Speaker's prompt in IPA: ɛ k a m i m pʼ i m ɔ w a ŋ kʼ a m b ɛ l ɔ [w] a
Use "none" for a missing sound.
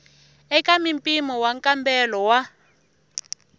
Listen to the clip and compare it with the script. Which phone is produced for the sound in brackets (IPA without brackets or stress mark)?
w